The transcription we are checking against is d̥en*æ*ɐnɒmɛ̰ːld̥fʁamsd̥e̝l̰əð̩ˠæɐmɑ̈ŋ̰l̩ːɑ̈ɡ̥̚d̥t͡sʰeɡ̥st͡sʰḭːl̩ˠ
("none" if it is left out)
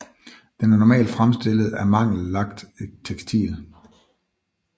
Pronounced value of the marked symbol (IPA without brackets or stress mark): æ